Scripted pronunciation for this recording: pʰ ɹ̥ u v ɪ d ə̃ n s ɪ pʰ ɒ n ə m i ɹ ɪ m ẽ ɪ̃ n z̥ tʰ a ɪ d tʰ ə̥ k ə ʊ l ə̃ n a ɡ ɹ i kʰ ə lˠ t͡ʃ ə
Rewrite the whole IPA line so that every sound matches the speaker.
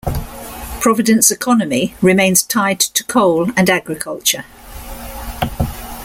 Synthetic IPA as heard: pʰ ɹ̥ ɒ v ɪ d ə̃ n s ɪ kʰ ɒ n ə m i ɹ ɪ m ẽ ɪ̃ n z̥ tʰ a ɪ d tʰ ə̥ kʰ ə ʊ l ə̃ n a ɡ ɹ ɪ kʰ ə lˠ t͡ʃ ə